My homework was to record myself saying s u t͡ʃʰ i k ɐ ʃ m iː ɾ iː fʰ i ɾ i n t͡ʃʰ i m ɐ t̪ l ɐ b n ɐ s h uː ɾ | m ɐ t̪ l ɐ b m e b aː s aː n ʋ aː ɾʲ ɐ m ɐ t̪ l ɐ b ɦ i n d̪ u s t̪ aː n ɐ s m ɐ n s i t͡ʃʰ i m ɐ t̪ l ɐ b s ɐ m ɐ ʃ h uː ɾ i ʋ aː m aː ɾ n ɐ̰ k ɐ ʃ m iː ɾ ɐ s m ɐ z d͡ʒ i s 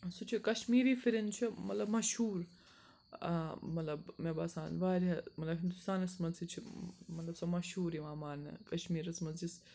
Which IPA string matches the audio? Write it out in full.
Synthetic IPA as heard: s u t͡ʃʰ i k ɐ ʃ m iː ɾ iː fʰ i ɾ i n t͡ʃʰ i m ɐ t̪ l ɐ b m ɐ ʃ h uː ɾ | m ɐ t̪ l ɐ b m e b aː s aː n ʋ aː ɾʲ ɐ m ɐ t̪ l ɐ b ɦ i n d̪ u s t̪ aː n ɐ s m ɐ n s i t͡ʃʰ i m ɐ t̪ l ɐ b s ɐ m ɐ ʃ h uː ɾ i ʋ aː m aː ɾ n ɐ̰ k ɐ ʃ m iː ɾ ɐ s m ɐ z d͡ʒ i s